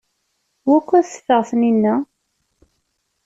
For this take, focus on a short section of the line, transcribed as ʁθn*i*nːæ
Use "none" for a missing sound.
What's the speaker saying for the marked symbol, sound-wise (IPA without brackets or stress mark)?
i